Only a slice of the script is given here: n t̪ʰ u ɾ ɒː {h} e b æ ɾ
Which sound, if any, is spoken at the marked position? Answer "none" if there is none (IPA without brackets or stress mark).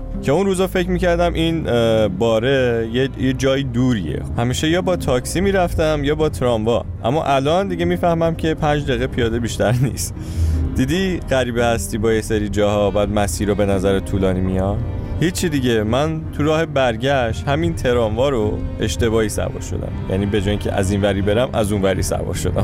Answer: h